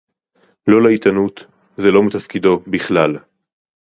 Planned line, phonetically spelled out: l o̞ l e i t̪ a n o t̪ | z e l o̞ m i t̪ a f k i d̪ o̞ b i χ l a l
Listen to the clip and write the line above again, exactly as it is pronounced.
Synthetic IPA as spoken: l o̞ l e i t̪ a n u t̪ | z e l o̞ m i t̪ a f k i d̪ o̞ b i χ l a l

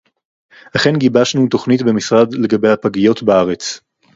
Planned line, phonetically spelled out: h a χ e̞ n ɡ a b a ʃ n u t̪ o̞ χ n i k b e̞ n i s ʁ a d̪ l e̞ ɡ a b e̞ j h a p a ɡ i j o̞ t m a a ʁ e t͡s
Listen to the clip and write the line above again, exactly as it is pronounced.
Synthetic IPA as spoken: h a χ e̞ n ɡ i b a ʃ n u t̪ o̞ χ n i t b e̞ m i s ʁ a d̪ l e̞ ɡ a b e̞ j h a p a ɡ i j o̞ t b a a ʁ e t͡s

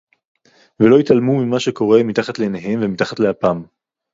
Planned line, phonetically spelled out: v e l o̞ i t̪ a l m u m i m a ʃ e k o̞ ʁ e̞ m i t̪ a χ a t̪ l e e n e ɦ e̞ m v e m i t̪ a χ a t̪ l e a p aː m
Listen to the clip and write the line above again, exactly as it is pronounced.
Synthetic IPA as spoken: v e l o̞ i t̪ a l m u m i m a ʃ e k o̞ ʁ e̞ m i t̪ a χ a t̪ l e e n e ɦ e̞ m v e m i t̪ a χ a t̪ l e a p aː m

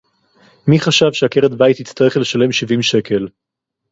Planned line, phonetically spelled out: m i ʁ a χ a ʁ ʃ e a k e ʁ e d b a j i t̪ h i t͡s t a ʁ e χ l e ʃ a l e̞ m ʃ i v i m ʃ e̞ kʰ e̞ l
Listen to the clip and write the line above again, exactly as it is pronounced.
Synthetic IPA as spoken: m i χ a ʃ a v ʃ e a k e ʁ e d b a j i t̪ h i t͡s t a ʁ e χ l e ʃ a l e̞ m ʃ i v i m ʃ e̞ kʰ e̞ l

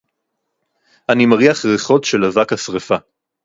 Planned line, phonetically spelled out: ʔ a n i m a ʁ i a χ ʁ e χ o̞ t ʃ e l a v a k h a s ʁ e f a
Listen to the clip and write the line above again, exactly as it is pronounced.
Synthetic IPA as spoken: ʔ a n i m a ʁ i a χ ʁ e χ o̞ t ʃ e l a v a k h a s ʁ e f a

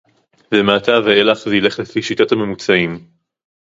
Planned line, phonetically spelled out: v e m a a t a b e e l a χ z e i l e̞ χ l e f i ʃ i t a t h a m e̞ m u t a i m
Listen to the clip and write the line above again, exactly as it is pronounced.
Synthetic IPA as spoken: v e m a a t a v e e l a χ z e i l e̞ χ l e f i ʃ i t a t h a m e̞ m u t͡s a i m

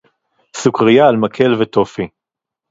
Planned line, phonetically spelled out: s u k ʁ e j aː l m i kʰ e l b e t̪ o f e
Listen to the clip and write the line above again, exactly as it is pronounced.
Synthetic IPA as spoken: s u k ʁ i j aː l m a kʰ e l v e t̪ o f i

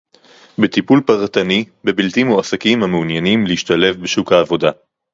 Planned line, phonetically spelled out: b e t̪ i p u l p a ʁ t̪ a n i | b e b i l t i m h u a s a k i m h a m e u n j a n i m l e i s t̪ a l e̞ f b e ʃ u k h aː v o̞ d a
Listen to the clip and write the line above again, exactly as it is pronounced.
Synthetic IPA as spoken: b e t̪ i p u l p a ʁ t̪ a n i | b e b i l t i m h u a s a k i m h a m e u n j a n i m l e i ʃ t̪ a l e̞ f b e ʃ u k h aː v o̞ d a

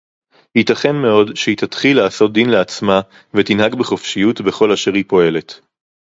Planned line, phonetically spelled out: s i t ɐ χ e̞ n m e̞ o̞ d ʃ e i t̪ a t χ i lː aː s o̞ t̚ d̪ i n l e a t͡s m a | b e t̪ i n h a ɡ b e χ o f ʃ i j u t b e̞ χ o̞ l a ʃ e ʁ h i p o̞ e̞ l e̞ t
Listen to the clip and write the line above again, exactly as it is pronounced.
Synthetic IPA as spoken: h i t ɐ χ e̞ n m e̞ o̞ d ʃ e i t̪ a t χ i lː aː s o̞ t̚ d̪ i n l e a t͡s m a | v e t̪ i n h a ɡ b e χ o f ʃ i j u t b e̞ χ o̞ l a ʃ e ʁ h i p o̞ e̞ l e̞ t

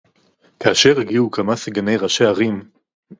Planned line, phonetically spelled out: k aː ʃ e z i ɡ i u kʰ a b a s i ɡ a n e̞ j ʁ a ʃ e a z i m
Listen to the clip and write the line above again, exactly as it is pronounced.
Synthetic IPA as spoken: k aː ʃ e ʁ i ɡ i u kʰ a m a s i ɡ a n e̞ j ʁ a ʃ e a ʁ i m

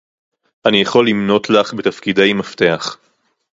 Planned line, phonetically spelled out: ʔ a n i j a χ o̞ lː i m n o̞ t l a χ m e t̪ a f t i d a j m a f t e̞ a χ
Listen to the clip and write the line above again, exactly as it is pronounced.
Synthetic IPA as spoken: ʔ a n i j a χ o̞ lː i m n o̞ t l a χ b e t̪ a f k i d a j m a f t e̞ a χ

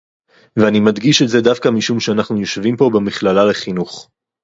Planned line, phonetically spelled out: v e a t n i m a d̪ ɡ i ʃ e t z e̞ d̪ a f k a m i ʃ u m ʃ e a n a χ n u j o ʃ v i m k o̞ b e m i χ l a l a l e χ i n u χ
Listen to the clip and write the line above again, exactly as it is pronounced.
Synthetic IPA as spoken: v e a n i m a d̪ ɡ i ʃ e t z e̞ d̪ a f k a m i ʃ u m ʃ e a n a χ n u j o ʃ v i m p o̞ b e m i χ l a l a l e χ i n u χ

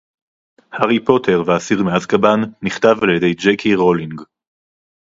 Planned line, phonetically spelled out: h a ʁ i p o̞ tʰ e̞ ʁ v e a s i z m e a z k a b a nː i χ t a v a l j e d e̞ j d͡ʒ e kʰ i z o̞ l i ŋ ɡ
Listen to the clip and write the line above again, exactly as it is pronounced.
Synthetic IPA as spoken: h a ʁ i p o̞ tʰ e̞ ʁ v e a s i ʁ m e a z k a b a nː i χ t a v a l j e d e̞ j d͡ʒ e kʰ i ʁ o̞ l i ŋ ɡ

